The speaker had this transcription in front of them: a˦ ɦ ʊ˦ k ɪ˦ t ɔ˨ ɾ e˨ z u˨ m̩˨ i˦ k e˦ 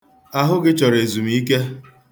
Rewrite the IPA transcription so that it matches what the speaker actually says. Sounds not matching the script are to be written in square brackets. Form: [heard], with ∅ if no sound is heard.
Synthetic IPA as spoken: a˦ ɦ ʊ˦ [ɡ] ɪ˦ [t͡ʃ] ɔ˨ ɾ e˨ z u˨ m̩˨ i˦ k e˦

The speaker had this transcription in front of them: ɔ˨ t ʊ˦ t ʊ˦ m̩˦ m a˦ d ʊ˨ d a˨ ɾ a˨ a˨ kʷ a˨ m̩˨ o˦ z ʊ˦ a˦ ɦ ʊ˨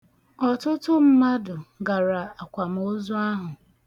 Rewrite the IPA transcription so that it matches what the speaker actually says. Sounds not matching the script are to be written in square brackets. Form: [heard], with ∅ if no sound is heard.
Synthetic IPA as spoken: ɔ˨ t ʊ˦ t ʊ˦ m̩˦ m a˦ d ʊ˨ [ɡ] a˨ ɾ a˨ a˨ kʷ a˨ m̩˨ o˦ z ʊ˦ a˦ ɦ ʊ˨

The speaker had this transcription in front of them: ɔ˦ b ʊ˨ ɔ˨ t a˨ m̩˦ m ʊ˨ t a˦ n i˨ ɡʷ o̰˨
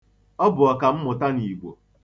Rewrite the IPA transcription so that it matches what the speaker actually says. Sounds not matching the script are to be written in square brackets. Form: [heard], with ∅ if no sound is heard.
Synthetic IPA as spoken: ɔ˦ b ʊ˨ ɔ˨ [k] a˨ m̩˦ m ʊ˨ t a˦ n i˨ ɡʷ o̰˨

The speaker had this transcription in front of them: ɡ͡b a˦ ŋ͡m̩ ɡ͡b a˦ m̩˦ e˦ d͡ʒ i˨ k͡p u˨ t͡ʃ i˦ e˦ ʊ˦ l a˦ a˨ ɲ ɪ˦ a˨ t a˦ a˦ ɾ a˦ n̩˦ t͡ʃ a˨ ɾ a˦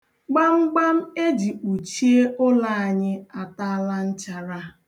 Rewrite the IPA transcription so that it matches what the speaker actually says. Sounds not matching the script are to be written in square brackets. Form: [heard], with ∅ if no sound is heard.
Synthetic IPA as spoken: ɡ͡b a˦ ŋ͡m̩ ɡ͡b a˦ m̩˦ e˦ d͡ʒ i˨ k͡p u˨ t͡ʃ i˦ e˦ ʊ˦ l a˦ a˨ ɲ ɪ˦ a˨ t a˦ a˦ [l] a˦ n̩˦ t͡ʃ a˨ ɾ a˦

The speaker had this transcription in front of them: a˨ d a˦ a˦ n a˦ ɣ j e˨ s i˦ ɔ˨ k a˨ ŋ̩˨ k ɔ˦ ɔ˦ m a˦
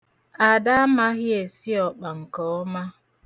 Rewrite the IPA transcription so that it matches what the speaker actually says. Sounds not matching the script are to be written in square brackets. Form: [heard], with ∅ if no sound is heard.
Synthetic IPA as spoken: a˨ d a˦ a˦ [m] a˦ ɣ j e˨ s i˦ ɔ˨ [k͡p] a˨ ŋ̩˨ k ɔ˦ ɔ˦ m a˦

